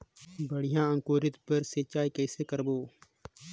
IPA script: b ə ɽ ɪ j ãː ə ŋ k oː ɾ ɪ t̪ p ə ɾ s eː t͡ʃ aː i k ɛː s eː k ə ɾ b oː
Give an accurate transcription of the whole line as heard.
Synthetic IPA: b ə ɽ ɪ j ãː ə ŋ k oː ɾ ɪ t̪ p ə ɾ s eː t͡ʃ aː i k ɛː s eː k ə ɾ b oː